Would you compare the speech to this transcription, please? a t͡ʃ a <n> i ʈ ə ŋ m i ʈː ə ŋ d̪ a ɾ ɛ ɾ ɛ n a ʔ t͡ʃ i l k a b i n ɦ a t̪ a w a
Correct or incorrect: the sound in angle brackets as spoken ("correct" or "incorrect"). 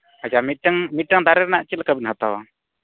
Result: incorrect